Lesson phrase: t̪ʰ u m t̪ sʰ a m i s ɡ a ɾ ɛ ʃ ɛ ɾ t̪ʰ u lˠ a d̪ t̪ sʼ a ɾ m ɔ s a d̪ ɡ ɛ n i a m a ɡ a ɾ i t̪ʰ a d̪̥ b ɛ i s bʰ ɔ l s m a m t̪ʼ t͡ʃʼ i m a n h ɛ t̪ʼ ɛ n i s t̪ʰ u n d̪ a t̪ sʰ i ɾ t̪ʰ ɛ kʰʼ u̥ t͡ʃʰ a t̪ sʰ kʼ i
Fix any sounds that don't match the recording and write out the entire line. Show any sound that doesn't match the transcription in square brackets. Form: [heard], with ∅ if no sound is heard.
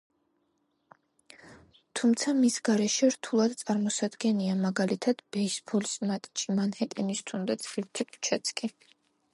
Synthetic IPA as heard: t̪ʰ u m t̪ sʰ a m i s ɡ a ɾ ɛ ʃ ɛ ɾ t̪ʰ u lˠ a d̪ t̪ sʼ a ɾ m ɔ s a d̪ ɡ ɛ n i a m a ɡ a [l] i t̪ʰ a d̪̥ b ɛ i s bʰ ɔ l s m a [∅] t̪ʼ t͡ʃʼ i m a n h ɛ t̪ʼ ɛ n i s t̪ʰ u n d̪ a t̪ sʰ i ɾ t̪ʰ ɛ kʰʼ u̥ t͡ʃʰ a t̪ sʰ kʼ i

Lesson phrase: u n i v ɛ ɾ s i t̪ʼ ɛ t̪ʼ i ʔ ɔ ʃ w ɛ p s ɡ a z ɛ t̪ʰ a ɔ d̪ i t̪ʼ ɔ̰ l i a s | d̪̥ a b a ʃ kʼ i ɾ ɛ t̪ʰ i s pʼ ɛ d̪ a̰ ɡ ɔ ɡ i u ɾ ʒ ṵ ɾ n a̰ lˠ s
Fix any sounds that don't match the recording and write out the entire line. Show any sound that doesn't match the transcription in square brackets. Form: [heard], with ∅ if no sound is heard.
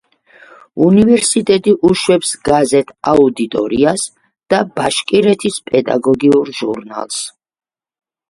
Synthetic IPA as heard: u n i v ɛ ɾ s i t̪ʼ ɛ t̪ʼ i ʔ [u] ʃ w ɛ p s ɡ a z ɛ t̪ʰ a [u] d̪ i t̪ʼ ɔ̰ [ɾ] i a s | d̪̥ a b a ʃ kʼ i ɾ ɛ t̪ʰ i s pʼ ɛ d̪ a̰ ɡ ɔ ɡ i u ɾ ʒ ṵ ɾ n a̰ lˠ s

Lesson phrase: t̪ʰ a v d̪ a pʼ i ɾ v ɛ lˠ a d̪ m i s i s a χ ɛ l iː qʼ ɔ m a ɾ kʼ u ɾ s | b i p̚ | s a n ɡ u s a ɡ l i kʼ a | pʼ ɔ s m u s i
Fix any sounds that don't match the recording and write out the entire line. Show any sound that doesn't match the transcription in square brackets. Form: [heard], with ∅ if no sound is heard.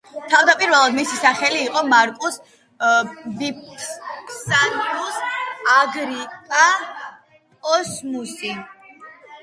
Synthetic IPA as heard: t̪ʰ a v d̪ a pʼ i ɾ v ɛ lˠ a d̪ m i s i s a χ ɛ l iː qʼ ɔ m a ɾ kʼ u [∅] s | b i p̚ | s a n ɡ u s a ɡ [ɾ] i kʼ a | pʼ ɔ s m u s i

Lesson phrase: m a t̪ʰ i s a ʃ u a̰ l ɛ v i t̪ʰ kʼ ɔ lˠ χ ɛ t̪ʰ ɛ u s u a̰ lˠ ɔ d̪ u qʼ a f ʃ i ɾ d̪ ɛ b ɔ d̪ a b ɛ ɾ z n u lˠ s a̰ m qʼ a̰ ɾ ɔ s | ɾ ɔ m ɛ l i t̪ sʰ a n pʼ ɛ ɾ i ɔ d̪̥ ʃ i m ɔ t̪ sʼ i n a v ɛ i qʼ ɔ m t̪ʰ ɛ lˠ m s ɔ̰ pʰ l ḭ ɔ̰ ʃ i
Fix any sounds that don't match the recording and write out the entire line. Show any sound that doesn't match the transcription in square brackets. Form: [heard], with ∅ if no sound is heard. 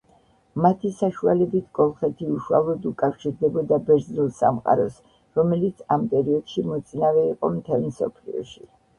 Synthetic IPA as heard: m a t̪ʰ i s a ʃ u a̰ l ɛ [b] i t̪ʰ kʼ ɔ lˠ χ ɛ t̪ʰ [i] u [ʃ] u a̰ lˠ ɔ d̪ u [kʼ] a f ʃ i ɾ d̪ ɛ b ɔ d̪ a b ɛ ɾ z n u lˠ s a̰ m qʼ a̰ ɾ ɔ s | ɾ ɔ m ɛ l i t̪ sʰ a [m] pʼ ɛ ɾ i ɔ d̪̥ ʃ i m ɔ t̪ sʼ i n a v ɛ i qʼ ɔ m t̪ʰ ɛ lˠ m s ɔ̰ pʰ l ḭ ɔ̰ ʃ i

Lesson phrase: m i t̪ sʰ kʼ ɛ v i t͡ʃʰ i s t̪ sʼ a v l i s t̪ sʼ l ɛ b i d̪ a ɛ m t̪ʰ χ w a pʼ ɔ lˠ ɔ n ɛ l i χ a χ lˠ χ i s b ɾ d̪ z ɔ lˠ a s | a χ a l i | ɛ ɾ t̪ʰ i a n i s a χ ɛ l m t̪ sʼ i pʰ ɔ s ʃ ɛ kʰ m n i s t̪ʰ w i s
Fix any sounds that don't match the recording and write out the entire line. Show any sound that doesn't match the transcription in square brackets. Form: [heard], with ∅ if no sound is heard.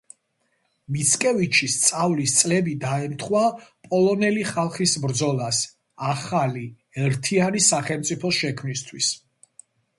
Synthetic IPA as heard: m i t̪ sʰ kʼ ɛ v i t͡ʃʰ i s t̪ sʼ a v l i s t̪ sʼ l ɛ b i d̪ a ɛ m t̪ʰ χ w a pʼ ɔ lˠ ɔ n ɛ l i χ a [∅] lˠ χ i s b ɾ d̪ z ɔ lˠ a s | a χ a l i | ɛ ɾ t̪ʰ i a n i s a χ ɛ l m t̪ sʼ i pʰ ɔ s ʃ ɛ kʰ m n i s t̪ʰ w i s

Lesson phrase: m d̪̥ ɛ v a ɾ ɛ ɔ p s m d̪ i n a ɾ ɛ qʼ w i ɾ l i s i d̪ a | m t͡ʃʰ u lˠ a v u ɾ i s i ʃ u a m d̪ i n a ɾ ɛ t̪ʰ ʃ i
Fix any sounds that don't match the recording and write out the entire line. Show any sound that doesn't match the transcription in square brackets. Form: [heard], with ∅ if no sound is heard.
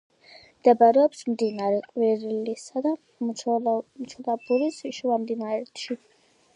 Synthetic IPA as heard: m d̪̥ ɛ [b] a ɾ ɛ ɔ p s m d̪ i n a ɾ ɛ qʼ w i ɾ l i s [a] d̪ a | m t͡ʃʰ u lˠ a [b] u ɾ i s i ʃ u a m d̪ i n a ɾ ɛ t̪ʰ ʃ i

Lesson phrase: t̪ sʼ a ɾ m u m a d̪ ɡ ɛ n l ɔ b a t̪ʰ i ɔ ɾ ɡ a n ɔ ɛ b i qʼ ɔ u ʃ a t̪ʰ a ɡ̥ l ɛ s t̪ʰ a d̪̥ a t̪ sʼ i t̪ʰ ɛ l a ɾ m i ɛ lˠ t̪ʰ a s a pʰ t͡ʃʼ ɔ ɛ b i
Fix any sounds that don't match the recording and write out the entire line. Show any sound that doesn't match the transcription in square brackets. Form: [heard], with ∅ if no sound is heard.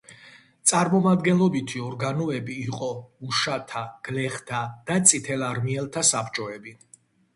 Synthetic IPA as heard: t̪ sʼ a ɾ m [ɔ] m a d̪ ɡ ɛ n l ɔ b [i] t̪ʰ i ɔ ɾ ɡ a n ɔ ɛ b [iː] qʼ ɔ u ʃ a t̪ʰ a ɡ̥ l ɛ [χ] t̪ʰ a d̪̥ a t̪ sʼ i t̪ʰ ɛ l a ɾ m i ɛ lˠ t̪ʰ a s a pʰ t͡ʃʼ ɔ ɛ b i

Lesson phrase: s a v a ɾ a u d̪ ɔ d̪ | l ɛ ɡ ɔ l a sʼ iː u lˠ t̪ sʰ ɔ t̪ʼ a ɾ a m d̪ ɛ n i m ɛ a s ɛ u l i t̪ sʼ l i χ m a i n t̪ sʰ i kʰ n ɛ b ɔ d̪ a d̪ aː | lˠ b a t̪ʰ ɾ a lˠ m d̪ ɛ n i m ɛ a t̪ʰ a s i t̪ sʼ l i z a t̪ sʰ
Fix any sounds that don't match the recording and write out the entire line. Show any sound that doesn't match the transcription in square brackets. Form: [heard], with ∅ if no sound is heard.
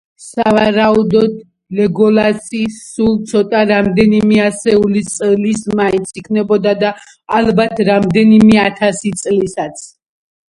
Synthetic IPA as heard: s a v a ɾ a u d̪ ɔ d̪ | l ɛ ɡ ɔ l a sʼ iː u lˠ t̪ sʰ ɔ t̪ʼ a ɾ a m d̪ ɛ n i m ɛ a s ɛ u l i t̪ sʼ l i [s] m a i n t̪ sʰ i kʰ n ɛ b ɔ d̪ a d̪ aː | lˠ b a t̪ʰ ɾ a [∅] m d̪ ɛ n i m ɛ a t̪ʰ a s i t̪ sʼ l i [s] a t̪ sʰ

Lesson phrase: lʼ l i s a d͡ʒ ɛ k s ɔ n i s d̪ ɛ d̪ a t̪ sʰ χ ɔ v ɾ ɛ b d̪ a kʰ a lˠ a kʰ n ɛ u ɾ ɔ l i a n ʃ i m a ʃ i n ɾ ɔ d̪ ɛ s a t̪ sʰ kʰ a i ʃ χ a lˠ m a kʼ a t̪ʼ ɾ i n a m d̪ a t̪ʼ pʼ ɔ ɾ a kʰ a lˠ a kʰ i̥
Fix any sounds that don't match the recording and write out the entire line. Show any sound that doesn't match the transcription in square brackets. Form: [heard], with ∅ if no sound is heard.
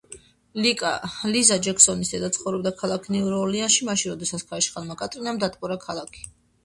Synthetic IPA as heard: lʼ l i [z] a d͡ʒ ɛ k s ɔ n i s d̪ ɛ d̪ a t̪ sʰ χ ɔ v ɾ ɛ b d̪ a kʰ a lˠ a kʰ n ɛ u ɾ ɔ l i a n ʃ i m a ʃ i n ɾ ɔ d̪ ɛ s a t̪ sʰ kʰ a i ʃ χ a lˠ m a kʼ a t̪ʼ ɾ i n a m d̪ a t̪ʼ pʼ ɔ ɾ a kʰ a lˠ a kʰ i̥

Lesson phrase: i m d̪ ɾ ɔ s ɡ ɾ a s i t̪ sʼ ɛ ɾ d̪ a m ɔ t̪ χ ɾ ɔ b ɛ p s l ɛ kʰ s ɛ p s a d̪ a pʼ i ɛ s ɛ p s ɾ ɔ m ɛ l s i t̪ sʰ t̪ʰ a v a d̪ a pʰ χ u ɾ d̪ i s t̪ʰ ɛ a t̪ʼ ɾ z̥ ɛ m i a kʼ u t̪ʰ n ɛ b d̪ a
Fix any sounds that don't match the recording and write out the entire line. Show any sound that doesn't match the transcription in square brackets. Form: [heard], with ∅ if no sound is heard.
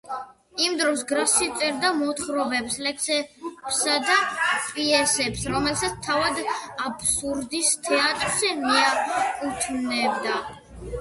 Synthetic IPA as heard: i m d̪ ɾ ɔ s ɡ ɾ a s i t̪ sʼ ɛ ɾ d̪ a m ɔ t̪ χ ɾ ɔ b ɛ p s l ɛ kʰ s ɛ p s a d̪ a pʼ i ɛ s ɛ p s ɾ ɔ m ɛ l s [a] t̪ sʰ t̪ʰ a v a d̪ a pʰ [s] u ɾ d̪ i s t̪ʰ ɛ a t̪ʼ ɾ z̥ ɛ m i a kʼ u t̪ʰ n ɛ b d̪ a

